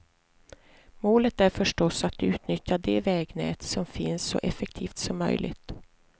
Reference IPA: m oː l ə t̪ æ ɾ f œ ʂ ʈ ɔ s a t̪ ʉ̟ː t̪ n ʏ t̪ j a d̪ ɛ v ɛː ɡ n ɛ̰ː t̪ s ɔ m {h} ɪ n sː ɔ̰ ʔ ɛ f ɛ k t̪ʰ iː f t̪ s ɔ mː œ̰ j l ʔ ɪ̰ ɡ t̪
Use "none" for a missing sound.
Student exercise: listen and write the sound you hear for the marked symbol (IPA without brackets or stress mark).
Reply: f